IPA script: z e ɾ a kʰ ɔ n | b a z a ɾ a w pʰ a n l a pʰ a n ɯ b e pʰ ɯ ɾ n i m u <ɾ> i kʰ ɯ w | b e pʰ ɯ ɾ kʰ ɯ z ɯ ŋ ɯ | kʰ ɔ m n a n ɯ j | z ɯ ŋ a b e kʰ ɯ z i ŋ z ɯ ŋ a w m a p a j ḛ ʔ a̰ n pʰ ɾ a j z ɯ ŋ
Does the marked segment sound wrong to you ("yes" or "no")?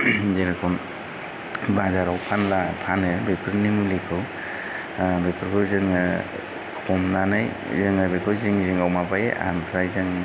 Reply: yes